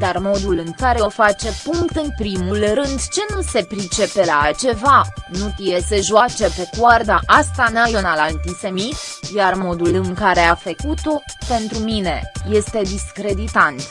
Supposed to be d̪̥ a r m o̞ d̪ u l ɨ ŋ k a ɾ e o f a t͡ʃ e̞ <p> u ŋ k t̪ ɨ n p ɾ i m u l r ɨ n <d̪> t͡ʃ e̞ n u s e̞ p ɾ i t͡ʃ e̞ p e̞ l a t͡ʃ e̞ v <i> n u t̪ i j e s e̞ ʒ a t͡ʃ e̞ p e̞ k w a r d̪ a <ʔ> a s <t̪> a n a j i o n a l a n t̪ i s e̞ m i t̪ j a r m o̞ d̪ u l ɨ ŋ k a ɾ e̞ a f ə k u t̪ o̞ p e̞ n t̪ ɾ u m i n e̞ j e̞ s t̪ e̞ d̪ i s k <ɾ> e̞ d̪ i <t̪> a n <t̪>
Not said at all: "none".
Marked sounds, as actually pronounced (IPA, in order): p, d̪, a, ʔ, t̪, ɾ, t̪, t̪

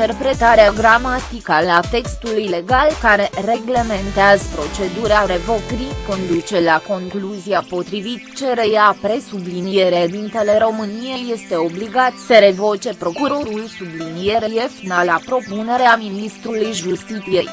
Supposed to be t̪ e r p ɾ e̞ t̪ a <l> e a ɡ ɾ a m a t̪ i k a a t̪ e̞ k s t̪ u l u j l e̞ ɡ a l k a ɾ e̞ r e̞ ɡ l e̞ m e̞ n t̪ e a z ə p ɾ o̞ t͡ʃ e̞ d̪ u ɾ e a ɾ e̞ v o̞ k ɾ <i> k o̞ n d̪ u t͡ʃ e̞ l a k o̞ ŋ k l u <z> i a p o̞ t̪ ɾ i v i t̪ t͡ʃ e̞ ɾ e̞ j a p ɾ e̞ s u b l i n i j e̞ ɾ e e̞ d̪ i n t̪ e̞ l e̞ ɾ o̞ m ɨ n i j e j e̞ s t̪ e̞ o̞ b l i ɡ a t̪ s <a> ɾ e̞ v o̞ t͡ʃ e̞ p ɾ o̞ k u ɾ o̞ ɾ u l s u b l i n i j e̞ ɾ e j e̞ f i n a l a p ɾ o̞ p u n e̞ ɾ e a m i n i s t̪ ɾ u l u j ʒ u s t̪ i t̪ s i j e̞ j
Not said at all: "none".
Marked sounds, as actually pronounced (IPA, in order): ɾ, i, z, ə

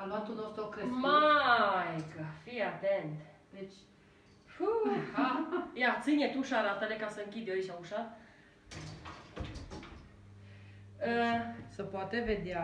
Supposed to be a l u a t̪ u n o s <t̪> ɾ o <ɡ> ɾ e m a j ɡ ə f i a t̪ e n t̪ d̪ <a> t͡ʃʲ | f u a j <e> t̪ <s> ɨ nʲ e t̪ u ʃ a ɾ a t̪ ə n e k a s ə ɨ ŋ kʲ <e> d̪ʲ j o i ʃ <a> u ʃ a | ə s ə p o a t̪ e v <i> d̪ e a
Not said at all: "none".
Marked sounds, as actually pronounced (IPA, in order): t̪, k, e, a, s, i, a, e

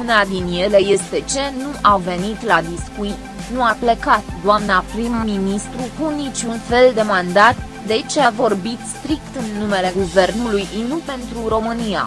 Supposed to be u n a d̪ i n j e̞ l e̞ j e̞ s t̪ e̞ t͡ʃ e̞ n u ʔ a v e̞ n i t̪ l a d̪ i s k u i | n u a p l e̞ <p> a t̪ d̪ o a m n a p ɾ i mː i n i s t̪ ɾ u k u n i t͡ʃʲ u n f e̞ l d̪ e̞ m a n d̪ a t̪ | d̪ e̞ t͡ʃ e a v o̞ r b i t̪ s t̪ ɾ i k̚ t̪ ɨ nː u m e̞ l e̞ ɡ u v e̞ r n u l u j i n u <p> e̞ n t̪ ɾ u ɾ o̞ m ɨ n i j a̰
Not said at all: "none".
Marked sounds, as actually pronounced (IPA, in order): k, p

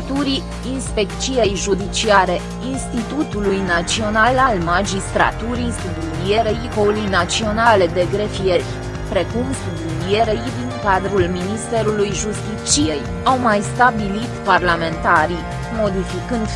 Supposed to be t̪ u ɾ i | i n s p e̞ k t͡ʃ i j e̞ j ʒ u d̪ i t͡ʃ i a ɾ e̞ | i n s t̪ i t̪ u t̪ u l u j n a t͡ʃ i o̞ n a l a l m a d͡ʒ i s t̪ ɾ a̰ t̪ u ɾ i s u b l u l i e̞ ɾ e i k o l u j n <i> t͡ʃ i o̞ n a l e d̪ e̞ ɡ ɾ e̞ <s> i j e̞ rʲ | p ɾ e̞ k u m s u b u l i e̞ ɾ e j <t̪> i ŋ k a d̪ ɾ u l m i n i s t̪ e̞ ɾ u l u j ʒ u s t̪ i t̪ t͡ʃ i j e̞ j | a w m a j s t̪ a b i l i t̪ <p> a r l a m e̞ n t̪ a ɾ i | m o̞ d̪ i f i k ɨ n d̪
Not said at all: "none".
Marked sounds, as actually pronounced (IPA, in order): a, f, d̪, p

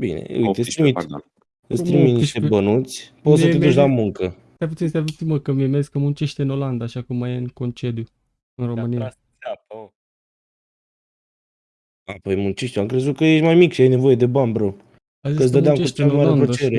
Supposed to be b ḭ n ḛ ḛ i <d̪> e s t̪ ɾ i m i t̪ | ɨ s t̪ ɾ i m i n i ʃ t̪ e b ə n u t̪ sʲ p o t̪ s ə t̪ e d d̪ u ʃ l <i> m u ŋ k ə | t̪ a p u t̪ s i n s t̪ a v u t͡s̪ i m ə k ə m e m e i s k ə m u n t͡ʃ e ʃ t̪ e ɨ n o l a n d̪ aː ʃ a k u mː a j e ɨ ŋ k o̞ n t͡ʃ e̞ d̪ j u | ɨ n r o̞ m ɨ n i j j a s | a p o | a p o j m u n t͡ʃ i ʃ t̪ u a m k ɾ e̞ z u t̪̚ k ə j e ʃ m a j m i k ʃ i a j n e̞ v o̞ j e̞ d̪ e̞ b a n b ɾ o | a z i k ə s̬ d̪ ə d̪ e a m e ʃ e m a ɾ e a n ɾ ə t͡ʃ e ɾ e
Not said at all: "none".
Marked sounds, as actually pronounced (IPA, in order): t̪, a

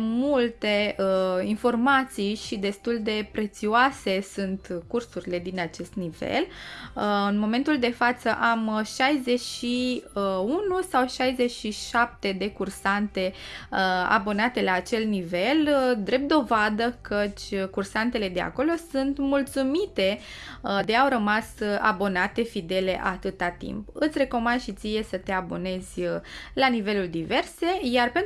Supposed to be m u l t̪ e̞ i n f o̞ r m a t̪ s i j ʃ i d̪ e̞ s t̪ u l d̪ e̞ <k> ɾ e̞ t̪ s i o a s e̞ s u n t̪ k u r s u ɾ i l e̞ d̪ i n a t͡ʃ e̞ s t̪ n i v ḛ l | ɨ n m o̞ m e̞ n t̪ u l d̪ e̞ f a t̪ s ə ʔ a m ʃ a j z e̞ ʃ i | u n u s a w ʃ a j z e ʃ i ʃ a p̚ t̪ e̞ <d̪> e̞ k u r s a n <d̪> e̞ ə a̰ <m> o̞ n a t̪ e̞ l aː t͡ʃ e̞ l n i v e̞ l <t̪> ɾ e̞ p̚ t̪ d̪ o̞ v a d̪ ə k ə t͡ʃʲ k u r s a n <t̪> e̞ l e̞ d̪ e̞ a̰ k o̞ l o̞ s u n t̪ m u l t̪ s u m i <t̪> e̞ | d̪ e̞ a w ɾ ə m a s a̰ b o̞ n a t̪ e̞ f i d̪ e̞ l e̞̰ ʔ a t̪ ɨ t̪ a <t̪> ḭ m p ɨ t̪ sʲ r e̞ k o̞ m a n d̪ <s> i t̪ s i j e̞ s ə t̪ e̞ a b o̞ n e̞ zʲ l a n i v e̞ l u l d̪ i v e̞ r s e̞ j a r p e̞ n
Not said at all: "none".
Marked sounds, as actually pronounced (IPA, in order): p, d̪, t̪, b, d̪, t̪, t̪, t̪, ʃ

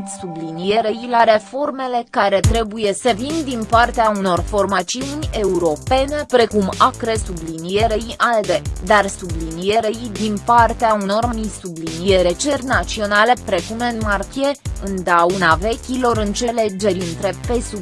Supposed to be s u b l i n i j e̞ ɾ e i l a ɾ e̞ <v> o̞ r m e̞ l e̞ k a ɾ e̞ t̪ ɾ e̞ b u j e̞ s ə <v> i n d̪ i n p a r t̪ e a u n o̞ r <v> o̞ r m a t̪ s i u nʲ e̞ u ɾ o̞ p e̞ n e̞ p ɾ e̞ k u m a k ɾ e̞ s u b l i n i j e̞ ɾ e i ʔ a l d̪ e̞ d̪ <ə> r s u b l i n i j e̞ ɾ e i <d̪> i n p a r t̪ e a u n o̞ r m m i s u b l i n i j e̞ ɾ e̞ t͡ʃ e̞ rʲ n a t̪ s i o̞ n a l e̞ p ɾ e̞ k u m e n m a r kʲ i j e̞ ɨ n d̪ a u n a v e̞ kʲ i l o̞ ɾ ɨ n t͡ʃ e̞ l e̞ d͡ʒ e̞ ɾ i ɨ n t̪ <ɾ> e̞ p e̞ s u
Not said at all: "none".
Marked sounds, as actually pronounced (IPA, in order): f, v, f, a, d̪, ɾ

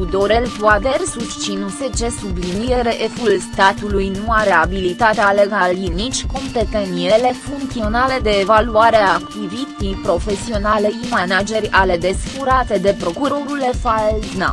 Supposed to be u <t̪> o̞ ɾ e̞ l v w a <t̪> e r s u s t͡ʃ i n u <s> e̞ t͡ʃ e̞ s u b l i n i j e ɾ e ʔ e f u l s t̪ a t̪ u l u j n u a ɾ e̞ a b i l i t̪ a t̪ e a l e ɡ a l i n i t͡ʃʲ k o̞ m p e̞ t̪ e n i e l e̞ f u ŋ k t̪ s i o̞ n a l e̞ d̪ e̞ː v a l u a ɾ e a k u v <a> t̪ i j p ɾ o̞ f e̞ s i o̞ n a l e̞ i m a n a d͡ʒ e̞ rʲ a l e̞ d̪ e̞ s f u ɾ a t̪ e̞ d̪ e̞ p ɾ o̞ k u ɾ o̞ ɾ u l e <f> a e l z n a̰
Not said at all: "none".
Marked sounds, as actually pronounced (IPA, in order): d̪, d̪, s, i, f

